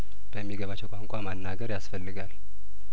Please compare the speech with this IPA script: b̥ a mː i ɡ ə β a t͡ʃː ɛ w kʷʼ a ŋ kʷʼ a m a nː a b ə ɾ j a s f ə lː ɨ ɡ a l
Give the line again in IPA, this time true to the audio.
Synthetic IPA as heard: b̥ ə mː i ɡ ə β a t͡ʃː ɛ w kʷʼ a ŋ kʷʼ a m a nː a ɡ ə ɾ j a s f ə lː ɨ ɡ a l